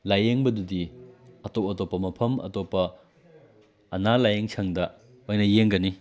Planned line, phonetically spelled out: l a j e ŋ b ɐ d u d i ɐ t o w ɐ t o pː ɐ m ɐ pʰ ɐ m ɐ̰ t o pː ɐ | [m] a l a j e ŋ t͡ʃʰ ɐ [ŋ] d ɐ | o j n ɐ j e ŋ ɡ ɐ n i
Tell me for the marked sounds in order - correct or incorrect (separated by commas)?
incorrect, correct